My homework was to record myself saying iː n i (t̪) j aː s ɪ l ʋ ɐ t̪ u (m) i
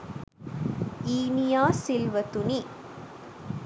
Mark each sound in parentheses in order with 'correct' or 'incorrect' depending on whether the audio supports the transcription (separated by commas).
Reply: incorrect, incorrect